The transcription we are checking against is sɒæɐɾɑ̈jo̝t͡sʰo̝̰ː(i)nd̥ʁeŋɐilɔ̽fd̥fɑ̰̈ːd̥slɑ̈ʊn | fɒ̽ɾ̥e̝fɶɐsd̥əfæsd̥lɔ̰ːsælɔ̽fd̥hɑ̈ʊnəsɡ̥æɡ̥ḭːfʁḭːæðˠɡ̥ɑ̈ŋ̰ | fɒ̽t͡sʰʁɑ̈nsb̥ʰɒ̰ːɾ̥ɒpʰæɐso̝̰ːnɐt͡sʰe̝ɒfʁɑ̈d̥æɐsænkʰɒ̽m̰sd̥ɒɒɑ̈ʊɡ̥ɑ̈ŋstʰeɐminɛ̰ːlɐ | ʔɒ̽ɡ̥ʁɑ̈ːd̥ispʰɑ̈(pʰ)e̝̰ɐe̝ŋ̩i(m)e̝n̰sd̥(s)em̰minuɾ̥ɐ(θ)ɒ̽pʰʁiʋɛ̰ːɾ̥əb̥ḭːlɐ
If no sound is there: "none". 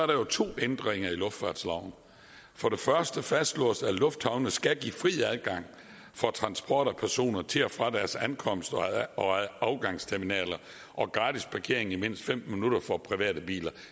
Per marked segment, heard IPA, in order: e, kʰ, m, f, f

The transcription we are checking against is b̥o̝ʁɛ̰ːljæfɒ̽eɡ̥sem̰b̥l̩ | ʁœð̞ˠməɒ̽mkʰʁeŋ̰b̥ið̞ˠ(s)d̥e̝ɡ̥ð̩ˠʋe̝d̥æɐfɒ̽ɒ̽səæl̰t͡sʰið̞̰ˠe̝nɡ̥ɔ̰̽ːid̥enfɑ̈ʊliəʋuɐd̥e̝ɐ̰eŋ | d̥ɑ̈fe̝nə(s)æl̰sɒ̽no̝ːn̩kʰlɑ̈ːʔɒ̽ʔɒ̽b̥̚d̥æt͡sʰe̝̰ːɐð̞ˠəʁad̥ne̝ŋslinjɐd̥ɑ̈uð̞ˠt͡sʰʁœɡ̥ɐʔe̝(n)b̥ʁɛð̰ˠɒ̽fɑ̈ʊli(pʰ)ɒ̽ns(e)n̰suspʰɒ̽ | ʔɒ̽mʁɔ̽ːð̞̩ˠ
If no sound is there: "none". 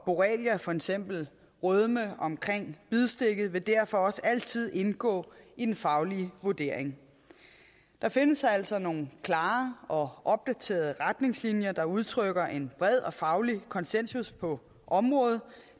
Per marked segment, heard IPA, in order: s, s, n, kʰ, e

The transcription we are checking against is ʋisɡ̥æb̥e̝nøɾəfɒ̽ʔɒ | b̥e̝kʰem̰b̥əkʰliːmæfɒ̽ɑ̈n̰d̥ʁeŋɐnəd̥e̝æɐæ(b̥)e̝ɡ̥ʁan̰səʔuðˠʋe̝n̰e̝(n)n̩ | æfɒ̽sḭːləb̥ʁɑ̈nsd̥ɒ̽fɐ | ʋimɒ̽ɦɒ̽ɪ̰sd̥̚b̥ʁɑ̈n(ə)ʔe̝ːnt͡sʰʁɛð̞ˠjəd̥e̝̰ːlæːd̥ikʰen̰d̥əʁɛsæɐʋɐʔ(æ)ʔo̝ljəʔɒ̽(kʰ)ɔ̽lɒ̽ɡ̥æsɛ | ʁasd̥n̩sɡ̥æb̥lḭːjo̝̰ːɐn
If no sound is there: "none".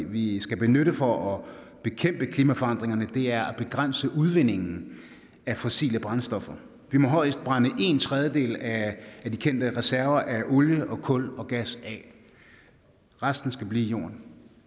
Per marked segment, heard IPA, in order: b̥, ŋ, ə, æ, kʰ

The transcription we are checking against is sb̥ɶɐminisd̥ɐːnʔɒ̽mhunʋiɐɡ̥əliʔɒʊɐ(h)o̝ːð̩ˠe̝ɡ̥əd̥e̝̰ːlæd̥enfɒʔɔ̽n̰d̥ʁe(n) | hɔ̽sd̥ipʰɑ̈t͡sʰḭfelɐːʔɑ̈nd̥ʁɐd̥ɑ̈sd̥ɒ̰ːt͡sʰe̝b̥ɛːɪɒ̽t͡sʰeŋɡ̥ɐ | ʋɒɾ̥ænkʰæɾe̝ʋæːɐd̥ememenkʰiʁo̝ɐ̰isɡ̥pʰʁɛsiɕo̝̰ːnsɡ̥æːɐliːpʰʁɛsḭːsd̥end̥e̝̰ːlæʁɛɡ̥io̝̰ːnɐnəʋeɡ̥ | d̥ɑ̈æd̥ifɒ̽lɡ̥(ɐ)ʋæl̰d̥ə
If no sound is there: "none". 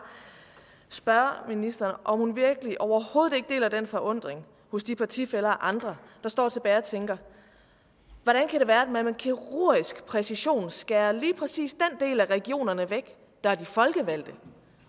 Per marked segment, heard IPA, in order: h, ŋ, ə

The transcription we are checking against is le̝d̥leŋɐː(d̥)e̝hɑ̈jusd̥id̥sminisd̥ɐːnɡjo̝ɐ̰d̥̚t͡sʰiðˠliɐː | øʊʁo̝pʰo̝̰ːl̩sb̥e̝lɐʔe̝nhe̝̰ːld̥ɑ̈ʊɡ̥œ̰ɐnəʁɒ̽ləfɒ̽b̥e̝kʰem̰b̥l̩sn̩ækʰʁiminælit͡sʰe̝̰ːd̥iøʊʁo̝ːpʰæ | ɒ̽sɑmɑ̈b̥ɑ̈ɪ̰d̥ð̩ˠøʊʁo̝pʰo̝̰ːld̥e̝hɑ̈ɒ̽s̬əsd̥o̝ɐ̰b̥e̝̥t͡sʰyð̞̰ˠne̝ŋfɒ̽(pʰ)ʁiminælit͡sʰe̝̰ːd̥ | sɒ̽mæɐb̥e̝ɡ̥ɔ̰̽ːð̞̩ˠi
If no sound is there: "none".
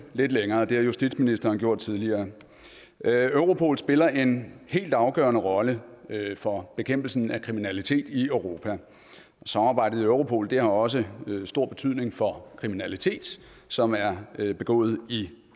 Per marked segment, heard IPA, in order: d̥, kʰ

